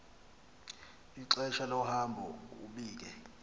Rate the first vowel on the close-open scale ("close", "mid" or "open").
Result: close